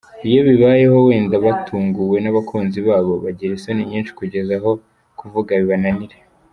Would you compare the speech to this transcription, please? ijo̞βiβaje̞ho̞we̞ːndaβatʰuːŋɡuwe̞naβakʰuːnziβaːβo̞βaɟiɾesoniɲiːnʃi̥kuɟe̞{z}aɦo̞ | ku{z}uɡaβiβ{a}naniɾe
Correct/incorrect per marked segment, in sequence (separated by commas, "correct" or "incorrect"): correct, incorrect, correct